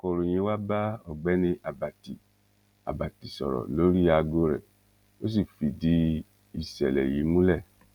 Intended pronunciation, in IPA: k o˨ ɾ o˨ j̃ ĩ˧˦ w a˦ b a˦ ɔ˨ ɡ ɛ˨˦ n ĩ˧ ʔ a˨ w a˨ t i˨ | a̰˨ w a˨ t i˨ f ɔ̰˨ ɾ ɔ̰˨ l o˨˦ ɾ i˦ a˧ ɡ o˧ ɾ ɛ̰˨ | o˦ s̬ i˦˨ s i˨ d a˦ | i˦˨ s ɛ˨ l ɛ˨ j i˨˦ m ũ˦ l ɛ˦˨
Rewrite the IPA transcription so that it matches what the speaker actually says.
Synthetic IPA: k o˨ ɾ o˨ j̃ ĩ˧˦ w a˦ b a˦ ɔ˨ ɡ͡b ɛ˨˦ n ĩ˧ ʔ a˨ b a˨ t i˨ | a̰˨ b a˨ t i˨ s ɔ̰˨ ɾ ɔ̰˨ l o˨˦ ɾ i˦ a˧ ɡ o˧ ɾ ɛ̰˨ | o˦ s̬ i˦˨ f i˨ d i˦ | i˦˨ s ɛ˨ l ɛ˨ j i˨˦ m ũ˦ l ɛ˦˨